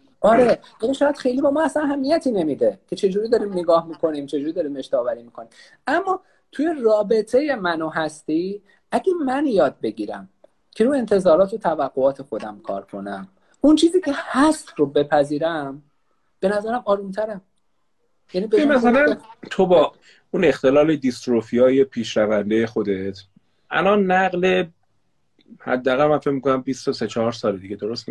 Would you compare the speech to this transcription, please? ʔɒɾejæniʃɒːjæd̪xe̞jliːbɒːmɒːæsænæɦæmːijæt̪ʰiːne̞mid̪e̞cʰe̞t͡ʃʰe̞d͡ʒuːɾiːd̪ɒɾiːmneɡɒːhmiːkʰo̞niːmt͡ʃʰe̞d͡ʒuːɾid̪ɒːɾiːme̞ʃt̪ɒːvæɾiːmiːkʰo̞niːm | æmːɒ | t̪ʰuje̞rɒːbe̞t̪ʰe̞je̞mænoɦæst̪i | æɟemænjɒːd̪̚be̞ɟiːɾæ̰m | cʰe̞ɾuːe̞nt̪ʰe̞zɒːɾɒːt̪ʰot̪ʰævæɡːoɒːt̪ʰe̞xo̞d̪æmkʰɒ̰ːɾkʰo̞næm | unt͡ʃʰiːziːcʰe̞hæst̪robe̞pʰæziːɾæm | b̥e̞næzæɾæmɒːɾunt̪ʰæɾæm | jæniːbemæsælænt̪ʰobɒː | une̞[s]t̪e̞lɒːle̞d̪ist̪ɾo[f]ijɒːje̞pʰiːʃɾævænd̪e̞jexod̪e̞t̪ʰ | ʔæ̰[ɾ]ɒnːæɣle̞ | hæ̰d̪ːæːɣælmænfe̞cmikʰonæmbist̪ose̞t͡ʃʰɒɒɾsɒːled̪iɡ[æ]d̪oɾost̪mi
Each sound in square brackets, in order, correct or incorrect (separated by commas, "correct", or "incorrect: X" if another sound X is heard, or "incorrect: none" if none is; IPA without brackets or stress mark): incorrect: x, correct, incorrect: l, incorrect: e